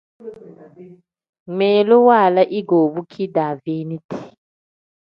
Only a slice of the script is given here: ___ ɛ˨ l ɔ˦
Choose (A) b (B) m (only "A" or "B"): B